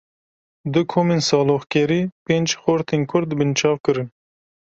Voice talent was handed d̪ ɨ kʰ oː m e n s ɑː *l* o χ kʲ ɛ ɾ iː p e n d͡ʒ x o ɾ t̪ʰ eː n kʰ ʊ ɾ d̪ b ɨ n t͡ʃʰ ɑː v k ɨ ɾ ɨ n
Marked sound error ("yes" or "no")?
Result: no